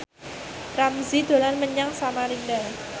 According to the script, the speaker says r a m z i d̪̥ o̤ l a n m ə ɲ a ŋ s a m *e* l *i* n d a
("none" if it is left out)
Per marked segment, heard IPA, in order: a, i

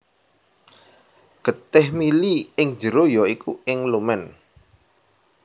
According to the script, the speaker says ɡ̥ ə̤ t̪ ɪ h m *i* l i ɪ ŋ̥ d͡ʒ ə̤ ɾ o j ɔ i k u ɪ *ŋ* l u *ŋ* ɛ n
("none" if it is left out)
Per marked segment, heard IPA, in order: i, ŋ, m

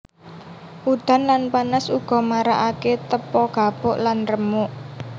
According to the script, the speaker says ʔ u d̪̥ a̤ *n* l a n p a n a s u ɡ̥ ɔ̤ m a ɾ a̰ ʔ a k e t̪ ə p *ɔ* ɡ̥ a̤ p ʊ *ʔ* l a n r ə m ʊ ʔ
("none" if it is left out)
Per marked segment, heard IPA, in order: n, ɔ, ʔ

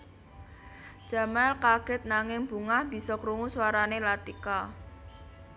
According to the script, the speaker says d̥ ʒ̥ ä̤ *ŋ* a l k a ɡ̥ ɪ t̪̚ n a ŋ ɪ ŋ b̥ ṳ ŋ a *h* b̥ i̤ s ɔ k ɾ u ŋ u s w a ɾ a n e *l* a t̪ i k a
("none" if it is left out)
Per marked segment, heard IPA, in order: m, h, l

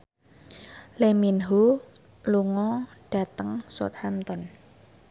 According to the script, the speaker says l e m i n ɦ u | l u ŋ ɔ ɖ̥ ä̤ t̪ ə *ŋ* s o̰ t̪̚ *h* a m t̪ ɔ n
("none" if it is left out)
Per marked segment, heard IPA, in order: ŋ, h

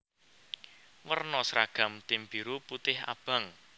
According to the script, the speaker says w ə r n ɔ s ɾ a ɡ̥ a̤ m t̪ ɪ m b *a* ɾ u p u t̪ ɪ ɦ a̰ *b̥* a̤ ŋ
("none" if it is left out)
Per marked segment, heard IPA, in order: i, b̥

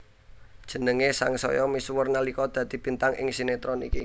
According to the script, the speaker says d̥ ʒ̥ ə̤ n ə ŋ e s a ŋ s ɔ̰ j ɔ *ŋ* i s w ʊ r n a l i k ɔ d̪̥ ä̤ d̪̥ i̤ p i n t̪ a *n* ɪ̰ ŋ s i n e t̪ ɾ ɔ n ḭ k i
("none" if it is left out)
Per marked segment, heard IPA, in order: m, ŋ

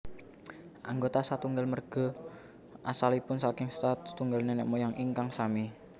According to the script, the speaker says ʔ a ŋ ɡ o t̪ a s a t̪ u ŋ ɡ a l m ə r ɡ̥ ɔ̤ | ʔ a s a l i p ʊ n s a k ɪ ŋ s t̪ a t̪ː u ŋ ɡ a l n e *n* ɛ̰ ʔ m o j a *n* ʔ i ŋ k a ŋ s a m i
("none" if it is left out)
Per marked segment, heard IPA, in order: n, ŋ

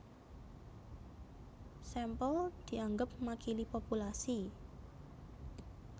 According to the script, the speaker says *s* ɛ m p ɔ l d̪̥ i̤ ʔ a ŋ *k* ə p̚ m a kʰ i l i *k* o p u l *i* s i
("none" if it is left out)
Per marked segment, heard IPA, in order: s, ɡ, p, a

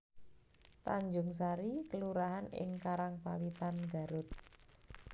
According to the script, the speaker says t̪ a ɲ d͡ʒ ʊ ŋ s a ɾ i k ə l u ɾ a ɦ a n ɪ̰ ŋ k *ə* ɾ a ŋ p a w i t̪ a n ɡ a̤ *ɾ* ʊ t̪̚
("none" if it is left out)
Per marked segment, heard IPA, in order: a, ɾ

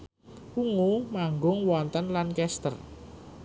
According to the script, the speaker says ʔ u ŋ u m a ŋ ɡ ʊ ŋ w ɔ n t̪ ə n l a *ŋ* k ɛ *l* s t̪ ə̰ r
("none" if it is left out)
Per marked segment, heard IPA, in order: n, none

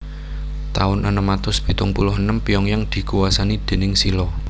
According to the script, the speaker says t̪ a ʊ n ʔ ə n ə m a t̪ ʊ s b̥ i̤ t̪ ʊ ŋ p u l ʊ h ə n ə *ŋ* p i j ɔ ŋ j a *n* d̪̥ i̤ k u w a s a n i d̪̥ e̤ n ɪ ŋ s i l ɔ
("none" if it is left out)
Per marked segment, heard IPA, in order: m, ŋ

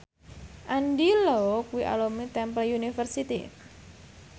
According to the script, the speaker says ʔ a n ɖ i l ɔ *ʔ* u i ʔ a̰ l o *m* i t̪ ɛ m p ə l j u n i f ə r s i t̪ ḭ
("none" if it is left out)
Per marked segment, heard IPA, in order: k, m

